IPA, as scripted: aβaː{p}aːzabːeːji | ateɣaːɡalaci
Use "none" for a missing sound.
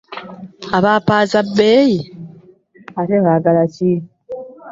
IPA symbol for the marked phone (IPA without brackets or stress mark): p